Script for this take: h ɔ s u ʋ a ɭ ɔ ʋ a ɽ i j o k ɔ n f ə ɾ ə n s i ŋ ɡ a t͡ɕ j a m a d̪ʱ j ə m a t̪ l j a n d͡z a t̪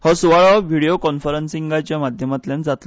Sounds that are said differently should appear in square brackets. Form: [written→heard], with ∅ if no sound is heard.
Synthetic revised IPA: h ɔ s u ʋ a ɭ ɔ ʋ [a→i] ɽ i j o k ɔ n f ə ɾ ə n s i ŋ ɡ a t͡ɕ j a m a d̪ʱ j ə m a t̪ l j a n d͡z a t̪